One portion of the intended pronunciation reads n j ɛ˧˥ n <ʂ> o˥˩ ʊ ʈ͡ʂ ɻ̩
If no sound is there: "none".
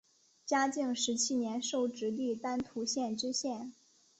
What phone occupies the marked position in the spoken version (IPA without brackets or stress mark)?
ʂ